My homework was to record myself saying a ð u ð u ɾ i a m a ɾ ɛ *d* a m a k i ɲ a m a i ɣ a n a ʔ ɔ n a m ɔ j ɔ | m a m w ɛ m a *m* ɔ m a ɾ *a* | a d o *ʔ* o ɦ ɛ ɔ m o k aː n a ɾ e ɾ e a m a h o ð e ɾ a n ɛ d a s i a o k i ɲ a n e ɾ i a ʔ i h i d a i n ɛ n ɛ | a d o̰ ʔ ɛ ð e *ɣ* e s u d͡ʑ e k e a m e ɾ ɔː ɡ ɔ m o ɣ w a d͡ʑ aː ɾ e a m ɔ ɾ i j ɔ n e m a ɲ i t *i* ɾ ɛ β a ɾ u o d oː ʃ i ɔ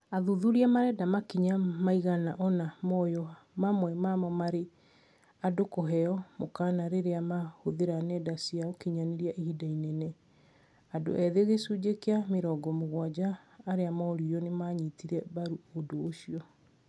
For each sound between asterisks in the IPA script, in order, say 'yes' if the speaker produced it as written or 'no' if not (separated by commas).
yes, yes, no, no, yes, yes